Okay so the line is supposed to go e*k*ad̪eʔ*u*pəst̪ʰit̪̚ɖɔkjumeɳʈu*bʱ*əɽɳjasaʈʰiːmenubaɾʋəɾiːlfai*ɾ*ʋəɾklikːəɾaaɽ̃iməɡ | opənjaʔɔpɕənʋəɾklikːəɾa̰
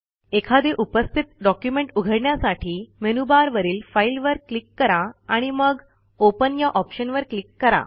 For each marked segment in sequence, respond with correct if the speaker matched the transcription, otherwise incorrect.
incorrect: kʰ, correct, incorrect: ɡʱ, incorrect: l

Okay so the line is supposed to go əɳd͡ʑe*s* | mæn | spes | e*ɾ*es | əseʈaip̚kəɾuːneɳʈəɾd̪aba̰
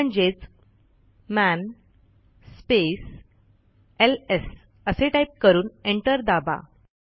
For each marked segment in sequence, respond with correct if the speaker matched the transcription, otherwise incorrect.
incorrect: t͡s, incorrect: l

